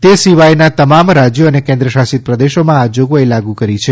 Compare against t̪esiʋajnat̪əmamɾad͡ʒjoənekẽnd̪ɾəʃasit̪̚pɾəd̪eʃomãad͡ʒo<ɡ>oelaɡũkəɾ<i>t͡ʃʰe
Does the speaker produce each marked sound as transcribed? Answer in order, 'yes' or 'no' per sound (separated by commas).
yes, yes